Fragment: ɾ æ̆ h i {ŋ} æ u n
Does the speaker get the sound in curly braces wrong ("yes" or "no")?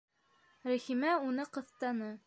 yes